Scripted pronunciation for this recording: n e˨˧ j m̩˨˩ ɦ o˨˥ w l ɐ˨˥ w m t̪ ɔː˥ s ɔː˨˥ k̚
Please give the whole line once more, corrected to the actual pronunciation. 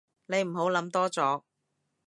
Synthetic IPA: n e˨˧ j m̩˨˩ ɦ o˨˥ w l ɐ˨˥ m t̪ ɔː˥ t͡s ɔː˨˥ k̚